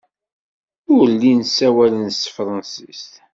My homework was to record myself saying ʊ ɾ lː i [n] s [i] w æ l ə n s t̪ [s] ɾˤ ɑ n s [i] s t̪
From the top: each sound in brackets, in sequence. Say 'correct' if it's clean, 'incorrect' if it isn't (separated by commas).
correct, incorrect, incorrect, correct